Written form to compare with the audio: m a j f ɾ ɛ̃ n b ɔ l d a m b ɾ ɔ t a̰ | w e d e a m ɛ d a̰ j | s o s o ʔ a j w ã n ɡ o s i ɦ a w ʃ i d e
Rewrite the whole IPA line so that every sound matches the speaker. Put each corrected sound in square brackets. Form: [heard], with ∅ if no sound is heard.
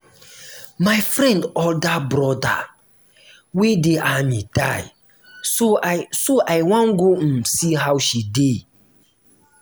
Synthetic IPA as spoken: m a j f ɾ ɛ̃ n [d] ɔ l d a [∅] b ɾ ɔ [d] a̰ | w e d e a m [i] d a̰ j | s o s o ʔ a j w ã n ɡ o s i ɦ a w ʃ i d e